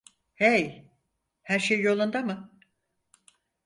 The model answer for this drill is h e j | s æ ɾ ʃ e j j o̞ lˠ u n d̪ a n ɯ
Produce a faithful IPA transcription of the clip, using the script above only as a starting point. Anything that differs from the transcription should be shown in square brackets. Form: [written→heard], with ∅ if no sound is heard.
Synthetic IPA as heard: h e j | [s→h] æ ɾ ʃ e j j o̞ lˠ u n d̪ a [n→m] ɯ

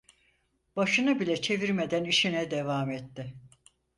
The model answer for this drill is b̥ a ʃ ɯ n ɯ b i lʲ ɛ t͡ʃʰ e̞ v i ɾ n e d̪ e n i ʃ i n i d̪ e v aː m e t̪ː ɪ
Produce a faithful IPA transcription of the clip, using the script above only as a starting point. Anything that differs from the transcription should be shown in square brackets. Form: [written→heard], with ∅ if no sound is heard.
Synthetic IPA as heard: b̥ a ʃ ɯ n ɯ b i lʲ ɛ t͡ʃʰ e̞ v i ɾ [n→m] e d̪ [e→æ] n i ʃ i n [i→ɛ] d̪ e v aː m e t̪ː ɪ

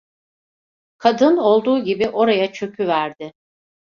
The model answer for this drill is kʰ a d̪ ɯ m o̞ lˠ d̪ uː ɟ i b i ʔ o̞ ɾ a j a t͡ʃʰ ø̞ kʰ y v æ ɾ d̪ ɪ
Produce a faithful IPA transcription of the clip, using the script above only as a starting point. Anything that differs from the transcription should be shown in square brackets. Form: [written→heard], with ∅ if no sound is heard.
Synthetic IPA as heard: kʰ a d̪ ɯ [m→n] o̞ lˠ d̪ uː ɟ i b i ʔ o̞ ɾ a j a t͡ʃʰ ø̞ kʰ y v æ ɾ d̪ ɪ

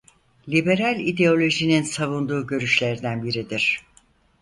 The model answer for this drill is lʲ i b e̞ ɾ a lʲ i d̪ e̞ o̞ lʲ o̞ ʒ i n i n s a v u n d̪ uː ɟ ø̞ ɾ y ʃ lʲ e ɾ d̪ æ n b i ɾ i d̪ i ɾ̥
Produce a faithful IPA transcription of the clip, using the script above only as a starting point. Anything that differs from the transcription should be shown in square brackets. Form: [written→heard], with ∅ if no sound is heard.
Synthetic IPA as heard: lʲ i b e̞ ɾ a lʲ i d̪ e̞ o̞ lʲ o̞ ʒ i n i n s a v u n d̪ uː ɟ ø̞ ɾ y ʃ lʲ e ɾ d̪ æ n b i ɾ i d̪ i ɾ̥

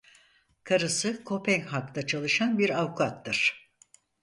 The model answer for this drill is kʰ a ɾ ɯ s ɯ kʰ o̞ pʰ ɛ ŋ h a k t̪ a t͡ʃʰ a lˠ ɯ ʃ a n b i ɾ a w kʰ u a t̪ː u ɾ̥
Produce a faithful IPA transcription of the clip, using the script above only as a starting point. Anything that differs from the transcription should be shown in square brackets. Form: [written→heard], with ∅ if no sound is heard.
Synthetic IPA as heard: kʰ a ɾ ɯ s ɯ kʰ o̞ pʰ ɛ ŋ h a k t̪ a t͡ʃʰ a lˠ ɯ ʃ a n b i ɾ a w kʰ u a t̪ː [u→ɯ] ɾ̥

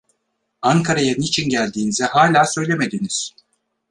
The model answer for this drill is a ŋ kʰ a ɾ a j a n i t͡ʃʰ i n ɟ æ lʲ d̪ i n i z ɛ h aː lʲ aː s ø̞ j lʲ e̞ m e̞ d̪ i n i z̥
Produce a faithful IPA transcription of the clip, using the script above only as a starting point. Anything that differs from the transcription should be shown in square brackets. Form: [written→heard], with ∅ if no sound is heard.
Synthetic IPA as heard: a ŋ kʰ a ɾ a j a n i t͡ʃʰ i n ɟ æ lʲ d̪ [i→iː] n i z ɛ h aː lʲ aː s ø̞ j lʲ e̞ m e̞ d̪ i n i z̥

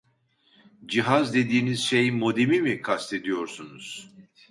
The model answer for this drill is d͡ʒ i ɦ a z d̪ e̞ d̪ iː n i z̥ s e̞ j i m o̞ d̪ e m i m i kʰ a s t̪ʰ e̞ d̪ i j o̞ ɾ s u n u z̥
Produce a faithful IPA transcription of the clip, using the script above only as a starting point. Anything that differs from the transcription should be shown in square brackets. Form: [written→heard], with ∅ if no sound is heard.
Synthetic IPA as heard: d͡ʒ i ɦ a z d̪ e̞ d̪ iː n i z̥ [s→ʃ] e̞ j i m o̞ d̪ e m i m i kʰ a s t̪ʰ e̞ d̪ i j o̞ ɾ s u n u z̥

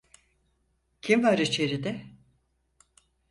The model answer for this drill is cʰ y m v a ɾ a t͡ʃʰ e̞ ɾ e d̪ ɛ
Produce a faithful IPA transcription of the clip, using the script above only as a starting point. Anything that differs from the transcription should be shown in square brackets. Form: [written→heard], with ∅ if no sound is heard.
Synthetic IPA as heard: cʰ [y→i] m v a ɾ [a→i] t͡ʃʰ e̞ ɾ [e→i] d̪ ɛ

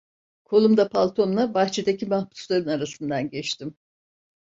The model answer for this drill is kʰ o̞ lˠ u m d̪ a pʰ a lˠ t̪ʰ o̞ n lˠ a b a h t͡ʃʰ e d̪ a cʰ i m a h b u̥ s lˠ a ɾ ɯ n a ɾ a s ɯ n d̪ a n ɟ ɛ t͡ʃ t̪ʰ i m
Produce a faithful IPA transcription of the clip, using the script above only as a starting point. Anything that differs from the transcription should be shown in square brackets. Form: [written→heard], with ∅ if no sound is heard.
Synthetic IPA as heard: kʰ o̞ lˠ u m d̪ a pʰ a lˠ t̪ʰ o̞ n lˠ a b a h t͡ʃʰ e d̪ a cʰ i m a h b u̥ s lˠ a ɾ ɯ n a ɾ a s ɯ n d̪ a n ɟ ɛ t͡ʃ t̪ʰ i m

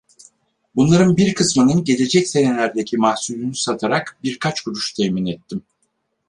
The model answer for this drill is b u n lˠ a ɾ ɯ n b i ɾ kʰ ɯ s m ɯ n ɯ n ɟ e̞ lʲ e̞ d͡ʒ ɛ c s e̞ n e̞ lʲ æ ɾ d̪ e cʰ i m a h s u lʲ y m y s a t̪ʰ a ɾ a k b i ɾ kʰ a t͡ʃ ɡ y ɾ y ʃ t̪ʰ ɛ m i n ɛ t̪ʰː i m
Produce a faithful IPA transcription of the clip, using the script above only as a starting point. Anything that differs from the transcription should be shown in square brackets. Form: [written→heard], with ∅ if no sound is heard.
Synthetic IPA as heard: b u n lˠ a ɾ ɯ n b i ɾ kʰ ɯ s m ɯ n ɯ n ɟ e̞ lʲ e̞ d͡ʒ ɛ c s e̞ n e̞ lʲ æ ɾ d̪ e cʰ i m a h s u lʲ y [m→n] y s a t̪ʰ a ɾ a k b i ɾ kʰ a t͡ʃ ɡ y ɾ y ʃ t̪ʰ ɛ m i n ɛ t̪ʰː i m

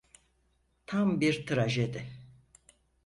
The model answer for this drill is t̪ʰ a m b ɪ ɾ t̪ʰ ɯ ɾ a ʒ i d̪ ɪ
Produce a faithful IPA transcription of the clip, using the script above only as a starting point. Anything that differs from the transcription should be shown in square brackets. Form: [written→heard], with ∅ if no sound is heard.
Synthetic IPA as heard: t̪ʰ a m b [ɪ→i] ɾ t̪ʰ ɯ ɾ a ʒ [i→e] d̪ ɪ

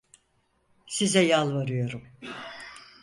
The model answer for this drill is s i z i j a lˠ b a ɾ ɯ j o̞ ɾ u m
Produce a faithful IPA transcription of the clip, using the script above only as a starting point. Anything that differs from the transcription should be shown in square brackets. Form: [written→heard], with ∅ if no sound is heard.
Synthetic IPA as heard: s i z [i→ɛ] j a lˠ [b→v] a ɾ ɯ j o̞ ɾ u m

